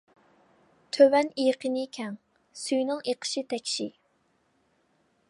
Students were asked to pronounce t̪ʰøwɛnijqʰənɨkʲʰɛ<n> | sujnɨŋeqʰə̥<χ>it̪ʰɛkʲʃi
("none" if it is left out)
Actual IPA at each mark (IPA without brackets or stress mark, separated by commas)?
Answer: ŋ, ʃ